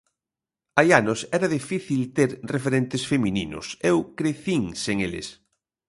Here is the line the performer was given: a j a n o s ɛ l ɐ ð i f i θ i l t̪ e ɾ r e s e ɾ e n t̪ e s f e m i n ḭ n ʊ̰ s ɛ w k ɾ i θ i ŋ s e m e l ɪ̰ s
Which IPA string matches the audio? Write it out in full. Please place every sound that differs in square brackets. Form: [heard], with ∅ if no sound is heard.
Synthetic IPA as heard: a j a n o s ɛ [ɾ] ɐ ð i f i θ i l t̪ e ɾ r e [f] e ɾ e n t̪ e s f e m i n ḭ n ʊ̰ s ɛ w k ɾ [e] θ i ŋ s e [ŋ] e l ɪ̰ s